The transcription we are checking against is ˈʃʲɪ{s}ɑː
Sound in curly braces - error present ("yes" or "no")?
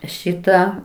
yes